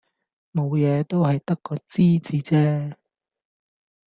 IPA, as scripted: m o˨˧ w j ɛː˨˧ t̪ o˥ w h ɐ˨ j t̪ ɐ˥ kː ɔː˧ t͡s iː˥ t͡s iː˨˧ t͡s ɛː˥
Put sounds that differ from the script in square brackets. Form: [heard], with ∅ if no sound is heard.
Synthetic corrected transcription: m o˨˧ w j ɛː˨˧ t̪ o˥ w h ɐ˨ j t̪ ɐ˥ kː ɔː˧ t͡s iː˥ t͡s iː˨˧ t͡s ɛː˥